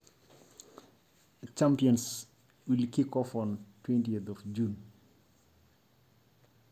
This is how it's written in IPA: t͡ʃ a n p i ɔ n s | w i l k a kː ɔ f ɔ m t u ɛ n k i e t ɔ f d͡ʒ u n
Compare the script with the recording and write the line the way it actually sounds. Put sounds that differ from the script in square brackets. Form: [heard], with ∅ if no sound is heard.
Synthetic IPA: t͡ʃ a [m] p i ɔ n s | w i l k [i] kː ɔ f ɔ [n] t [w] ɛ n [t] i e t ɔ f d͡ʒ u n